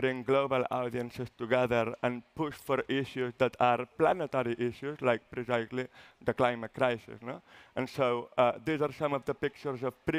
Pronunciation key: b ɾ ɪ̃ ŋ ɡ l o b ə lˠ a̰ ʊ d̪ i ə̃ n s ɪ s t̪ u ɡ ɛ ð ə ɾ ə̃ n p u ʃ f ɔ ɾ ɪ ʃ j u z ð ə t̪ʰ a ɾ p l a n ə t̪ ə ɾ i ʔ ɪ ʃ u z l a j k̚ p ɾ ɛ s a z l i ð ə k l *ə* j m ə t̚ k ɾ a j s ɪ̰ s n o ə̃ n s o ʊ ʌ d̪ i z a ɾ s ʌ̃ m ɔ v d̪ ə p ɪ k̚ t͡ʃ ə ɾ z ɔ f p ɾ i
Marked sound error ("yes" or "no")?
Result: yes